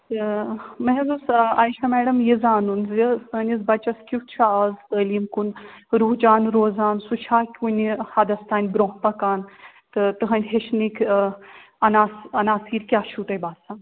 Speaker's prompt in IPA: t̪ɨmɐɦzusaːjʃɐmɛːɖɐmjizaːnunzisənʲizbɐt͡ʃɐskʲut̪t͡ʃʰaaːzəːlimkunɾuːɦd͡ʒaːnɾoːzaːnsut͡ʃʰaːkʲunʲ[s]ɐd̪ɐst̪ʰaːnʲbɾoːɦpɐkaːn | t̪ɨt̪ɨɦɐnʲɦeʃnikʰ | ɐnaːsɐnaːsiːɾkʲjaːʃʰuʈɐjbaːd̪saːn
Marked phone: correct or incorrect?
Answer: incorrect: h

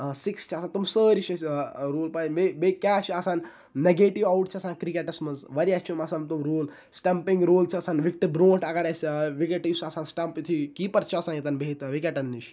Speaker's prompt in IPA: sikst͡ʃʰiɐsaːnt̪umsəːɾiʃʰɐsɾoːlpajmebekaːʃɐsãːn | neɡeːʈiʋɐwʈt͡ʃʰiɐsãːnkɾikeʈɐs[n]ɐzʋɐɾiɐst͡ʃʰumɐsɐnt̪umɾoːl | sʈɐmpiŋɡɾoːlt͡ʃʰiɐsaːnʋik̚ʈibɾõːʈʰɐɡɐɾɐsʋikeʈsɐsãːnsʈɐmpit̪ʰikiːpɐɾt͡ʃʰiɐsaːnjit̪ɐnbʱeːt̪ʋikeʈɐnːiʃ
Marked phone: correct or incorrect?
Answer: incorrect: m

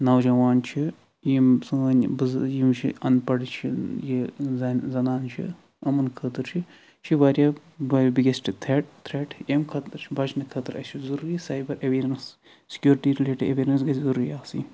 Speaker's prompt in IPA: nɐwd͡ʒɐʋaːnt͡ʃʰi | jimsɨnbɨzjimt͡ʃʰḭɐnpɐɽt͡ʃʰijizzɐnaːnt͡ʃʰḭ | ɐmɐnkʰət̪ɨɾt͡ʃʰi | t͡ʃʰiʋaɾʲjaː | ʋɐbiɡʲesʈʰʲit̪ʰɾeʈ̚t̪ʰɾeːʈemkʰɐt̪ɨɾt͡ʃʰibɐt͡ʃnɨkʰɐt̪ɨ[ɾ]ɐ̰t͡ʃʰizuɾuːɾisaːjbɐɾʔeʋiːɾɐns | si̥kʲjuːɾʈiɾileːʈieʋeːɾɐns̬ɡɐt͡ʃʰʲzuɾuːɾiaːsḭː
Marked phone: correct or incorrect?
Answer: correct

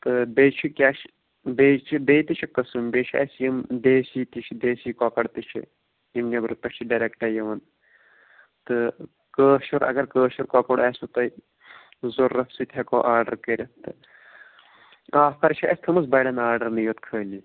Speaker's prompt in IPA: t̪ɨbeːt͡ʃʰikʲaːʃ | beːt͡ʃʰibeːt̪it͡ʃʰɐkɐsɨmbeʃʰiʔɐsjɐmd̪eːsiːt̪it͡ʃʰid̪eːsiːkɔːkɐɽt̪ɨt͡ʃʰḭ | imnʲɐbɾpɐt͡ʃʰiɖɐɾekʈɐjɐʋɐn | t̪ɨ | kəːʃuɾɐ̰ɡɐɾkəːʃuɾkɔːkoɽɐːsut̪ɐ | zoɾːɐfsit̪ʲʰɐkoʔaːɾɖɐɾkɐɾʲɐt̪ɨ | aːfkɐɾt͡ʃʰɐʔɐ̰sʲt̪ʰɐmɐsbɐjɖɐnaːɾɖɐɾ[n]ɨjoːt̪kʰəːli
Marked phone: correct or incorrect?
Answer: correct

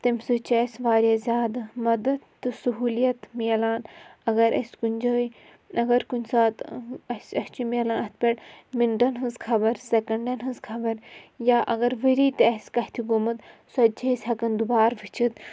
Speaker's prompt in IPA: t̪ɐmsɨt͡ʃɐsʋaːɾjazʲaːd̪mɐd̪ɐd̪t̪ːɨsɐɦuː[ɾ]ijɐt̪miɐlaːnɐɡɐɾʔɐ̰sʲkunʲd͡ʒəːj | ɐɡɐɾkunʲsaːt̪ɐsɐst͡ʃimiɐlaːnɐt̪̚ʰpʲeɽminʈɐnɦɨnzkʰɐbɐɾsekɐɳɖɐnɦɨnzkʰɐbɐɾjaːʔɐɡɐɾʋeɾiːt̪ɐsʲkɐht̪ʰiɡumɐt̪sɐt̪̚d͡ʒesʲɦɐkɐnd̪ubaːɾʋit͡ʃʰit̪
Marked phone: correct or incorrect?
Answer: incorrect: l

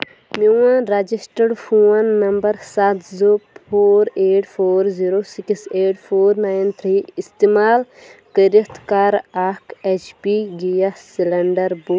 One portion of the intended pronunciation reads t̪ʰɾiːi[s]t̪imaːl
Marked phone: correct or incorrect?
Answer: correct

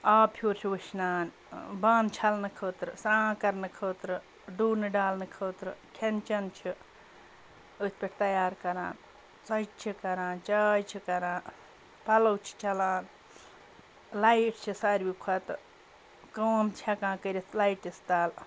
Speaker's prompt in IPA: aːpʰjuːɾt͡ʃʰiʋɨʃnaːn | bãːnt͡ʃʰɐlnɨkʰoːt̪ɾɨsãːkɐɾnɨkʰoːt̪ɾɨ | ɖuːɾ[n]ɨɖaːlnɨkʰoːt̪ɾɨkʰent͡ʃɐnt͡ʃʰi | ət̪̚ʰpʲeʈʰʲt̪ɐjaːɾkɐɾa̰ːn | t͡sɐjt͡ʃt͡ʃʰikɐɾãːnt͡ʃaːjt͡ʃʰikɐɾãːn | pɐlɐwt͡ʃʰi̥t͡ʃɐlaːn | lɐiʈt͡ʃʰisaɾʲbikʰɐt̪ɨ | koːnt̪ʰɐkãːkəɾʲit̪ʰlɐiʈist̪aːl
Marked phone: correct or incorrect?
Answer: correct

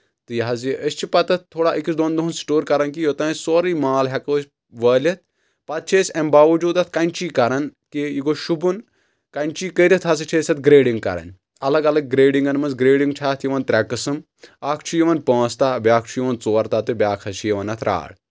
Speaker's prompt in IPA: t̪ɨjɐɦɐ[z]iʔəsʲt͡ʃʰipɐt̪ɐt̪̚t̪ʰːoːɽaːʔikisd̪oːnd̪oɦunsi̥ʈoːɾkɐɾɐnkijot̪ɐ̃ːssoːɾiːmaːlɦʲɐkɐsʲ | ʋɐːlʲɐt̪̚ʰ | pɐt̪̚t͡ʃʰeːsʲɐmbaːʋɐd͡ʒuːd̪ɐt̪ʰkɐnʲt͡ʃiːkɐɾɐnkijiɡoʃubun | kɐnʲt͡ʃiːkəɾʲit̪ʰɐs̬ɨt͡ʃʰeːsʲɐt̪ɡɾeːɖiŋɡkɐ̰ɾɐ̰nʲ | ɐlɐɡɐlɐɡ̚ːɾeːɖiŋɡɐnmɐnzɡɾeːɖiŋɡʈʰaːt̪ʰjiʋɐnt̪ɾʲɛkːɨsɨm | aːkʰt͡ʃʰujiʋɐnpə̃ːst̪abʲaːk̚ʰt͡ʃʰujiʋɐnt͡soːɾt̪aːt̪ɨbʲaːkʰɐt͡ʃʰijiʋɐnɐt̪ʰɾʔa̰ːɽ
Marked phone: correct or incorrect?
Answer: correct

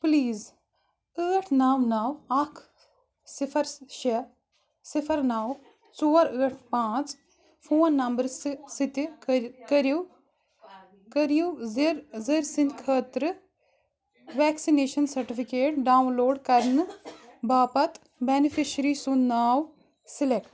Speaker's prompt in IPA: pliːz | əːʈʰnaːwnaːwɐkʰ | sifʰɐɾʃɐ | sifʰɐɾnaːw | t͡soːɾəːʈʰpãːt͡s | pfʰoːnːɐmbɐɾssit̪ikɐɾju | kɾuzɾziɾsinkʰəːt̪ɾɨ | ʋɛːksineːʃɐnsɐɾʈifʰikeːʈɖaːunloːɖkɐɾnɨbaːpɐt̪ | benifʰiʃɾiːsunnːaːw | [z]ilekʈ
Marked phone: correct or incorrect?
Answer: incorrect: s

